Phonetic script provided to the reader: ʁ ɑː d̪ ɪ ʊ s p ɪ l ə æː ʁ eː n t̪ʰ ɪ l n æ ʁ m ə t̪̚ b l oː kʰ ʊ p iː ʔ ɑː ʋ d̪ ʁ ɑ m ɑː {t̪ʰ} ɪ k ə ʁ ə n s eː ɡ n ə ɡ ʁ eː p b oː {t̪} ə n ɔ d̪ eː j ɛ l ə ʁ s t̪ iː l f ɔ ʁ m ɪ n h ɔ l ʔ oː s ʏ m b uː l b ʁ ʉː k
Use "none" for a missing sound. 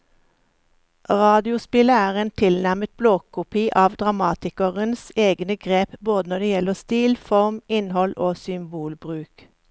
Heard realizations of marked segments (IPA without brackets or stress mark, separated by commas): t̪, d̪